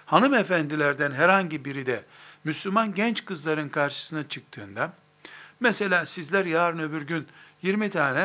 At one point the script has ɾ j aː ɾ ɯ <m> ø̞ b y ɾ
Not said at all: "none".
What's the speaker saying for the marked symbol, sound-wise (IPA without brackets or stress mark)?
n